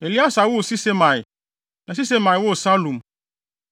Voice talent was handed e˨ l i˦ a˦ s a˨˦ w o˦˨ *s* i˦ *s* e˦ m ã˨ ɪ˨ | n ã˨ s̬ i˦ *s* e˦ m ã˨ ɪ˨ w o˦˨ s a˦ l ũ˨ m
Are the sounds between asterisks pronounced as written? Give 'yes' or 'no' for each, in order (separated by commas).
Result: yes, yes, yes